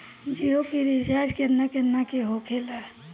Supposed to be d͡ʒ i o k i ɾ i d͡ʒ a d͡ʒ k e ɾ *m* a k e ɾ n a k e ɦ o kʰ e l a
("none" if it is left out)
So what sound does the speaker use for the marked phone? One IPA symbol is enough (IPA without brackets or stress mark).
n